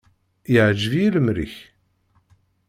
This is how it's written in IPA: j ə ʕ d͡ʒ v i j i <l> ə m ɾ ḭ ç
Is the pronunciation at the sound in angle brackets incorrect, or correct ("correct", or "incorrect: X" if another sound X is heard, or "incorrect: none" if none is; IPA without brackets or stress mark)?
correct